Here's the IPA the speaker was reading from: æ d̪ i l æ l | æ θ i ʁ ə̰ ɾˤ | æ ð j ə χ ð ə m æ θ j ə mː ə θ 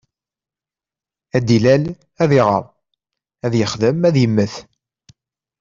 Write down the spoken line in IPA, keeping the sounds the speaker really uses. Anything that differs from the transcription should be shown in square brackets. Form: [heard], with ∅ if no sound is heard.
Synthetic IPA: æ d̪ i l æ l | æ [ð] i ʁ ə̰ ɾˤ | æ ð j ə χ ð ə m æ [ð] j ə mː ə θ